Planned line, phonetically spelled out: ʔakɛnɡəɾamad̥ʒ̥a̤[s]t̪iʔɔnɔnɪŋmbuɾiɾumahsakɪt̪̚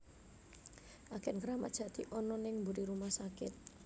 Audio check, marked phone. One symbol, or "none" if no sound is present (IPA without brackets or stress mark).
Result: none